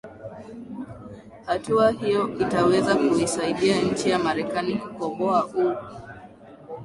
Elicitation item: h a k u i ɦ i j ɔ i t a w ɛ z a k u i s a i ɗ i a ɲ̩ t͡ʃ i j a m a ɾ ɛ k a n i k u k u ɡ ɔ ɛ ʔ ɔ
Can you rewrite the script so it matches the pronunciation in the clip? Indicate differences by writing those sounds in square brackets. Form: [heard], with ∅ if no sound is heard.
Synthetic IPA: h a [t] u [a] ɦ i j ɔ i t a w ɛ z a k u i s a i ɗ i a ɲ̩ t͡ʃ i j a m a ɾ ɛ k a n i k u k [ɔ] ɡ ɔ [a] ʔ [u]